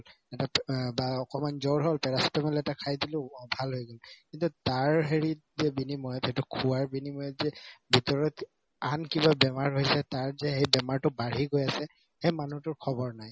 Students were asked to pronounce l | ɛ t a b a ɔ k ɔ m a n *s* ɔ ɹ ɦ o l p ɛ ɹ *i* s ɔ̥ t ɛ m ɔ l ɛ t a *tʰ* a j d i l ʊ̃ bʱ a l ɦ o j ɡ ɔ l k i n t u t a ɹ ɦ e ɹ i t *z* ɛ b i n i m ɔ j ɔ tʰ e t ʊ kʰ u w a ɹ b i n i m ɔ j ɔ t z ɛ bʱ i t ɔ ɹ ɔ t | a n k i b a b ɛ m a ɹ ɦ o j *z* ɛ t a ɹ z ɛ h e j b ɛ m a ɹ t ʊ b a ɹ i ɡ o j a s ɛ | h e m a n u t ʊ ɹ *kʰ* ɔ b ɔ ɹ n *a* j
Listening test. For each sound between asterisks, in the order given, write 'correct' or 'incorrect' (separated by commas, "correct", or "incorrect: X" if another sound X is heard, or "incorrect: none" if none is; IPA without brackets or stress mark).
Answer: incorrect: z, incorrect: a, incorrect: kʰ, correct, incorrect: s, correct, correct